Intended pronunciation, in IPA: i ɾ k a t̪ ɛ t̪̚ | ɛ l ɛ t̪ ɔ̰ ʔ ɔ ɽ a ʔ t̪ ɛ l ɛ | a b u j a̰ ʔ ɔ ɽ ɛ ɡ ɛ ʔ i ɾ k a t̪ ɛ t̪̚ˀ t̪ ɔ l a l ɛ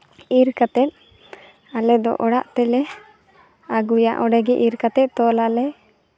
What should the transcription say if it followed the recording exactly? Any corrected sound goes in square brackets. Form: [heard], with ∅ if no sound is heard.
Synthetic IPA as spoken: i ɾ k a t̪ ɛ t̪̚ | [a] l ɛ [d̪] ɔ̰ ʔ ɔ ɽ a ʔ t̪ ɛ l ɛ | a [ɡ] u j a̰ ʔ ɔ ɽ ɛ ɡ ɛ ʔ i ɾ k a t̪ ɛ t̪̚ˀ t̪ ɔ l a l ɛ

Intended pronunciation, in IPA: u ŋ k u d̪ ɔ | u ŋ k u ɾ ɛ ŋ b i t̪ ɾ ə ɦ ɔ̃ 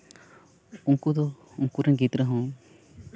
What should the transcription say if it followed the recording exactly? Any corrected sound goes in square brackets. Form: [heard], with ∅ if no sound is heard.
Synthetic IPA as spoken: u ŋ k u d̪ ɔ | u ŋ k u ɾ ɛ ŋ [ɡ] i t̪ ɾ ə ɦ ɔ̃

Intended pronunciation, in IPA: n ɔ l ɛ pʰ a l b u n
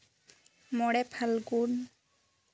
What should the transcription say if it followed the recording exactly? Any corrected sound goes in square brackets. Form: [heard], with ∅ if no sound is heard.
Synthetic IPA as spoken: [m] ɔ [ɽ] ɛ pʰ a l [ɡ] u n

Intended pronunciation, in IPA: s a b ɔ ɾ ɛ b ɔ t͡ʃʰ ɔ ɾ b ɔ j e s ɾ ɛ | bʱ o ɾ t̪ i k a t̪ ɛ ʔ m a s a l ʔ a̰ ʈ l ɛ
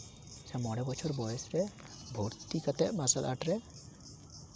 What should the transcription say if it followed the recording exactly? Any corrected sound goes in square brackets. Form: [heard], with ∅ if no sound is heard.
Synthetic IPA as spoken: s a [m] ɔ [ɽ] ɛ b ɔ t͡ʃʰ ɔ ɾ b ɔ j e s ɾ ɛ | bʱ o ɾ t̪ i k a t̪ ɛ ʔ m a s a l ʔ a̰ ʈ [ɾ] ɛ

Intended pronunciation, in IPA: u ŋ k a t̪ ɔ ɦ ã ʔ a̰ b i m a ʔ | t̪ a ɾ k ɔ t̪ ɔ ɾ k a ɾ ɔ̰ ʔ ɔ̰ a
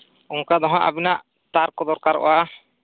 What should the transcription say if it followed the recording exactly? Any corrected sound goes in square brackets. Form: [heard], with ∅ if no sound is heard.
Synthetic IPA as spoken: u ŋ k a [d̪] ɔ ɦ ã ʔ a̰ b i [n] a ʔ | t̪ a ɾ k ɔ [d̪] ɔ ɾ k a ɾ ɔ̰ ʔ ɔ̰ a

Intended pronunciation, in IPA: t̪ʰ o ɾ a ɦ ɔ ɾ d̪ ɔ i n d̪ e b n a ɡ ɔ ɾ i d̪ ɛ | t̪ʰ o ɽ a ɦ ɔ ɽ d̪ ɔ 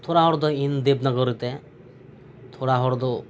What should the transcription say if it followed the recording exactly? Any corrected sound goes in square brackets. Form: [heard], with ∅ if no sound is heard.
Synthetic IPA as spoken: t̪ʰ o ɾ a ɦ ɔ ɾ d̪ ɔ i n d̪ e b n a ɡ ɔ ɾ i [t̪] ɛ | t̪ʰ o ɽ a ɦ ɔ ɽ d̪ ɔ

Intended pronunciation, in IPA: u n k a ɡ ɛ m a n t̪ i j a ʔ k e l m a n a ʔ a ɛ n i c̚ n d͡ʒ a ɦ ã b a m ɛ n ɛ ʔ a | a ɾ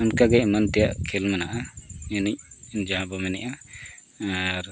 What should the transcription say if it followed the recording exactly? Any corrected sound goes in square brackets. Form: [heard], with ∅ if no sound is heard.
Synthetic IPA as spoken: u n k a ɡ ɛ m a n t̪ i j a ʔ [kʰ] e l m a n a ʔ a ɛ n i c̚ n d͡ʒ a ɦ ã b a m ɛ n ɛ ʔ a | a ɾ

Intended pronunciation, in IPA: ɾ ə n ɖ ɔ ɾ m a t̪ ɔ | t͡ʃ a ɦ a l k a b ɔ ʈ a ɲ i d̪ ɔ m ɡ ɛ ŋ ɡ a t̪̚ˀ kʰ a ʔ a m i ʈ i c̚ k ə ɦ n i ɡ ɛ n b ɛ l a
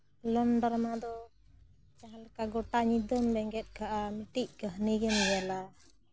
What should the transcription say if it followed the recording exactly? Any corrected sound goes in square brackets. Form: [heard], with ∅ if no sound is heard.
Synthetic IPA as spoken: [l] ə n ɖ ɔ ɾ m a [d̪] ɔ | t͡ʃ a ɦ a l k a [ɡ] ɔ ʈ a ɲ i d̪ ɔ m [b] ɛ ŋ ɡ [ɛ] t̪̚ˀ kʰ a ʔ a m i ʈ i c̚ k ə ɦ n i ɡ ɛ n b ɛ l a

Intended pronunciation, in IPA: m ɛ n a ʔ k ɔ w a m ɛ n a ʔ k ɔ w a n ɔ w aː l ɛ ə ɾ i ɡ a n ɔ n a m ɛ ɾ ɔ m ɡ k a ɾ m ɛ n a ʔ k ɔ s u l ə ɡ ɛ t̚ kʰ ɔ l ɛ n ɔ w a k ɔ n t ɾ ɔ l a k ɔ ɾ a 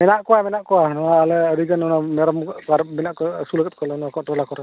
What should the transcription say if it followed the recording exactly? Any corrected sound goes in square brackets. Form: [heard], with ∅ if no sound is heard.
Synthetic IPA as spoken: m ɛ n a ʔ k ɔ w a m ɛ n a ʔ k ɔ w a n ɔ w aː l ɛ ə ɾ i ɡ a n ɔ n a m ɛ ɾ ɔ m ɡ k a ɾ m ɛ n a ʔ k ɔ s u l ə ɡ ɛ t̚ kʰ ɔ l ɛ n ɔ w a k ɔ n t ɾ ɔ l a k ɔ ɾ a

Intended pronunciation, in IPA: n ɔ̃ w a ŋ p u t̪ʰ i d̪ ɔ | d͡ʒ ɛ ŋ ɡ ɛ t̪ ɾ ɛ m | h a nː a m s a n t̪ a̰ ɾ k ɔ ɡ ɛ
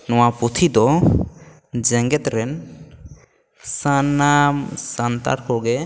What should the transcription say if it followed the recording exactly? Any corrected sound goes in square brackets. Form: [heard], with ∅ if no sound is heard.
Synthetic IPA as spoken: n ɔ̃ w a [∅] p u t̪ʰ i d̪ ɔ | d͡ʒ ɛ ŋ ɡ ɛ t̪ ɾ ɛ [n] | [s] a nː a m s a n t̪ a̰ ɾ k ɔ ɡ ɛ

